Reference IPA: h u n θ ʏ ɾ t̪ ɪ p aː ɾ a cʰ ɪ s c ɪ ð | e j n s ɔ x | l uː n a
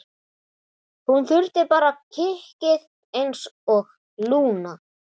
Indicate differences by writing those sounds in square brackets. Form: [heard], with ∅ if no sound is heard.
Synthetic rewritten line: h u n θ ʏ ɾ t̪ ɪ p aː ɾ a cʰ ɪ [h] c ɪ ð | e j n s ɔ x | l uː n a